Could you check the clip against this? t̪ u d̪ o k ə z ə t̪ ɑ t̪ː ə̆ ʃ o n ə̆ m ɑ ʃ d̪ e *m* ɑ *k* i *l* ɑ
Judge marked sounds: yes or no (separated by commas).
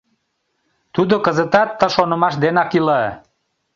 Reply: no, yes, yes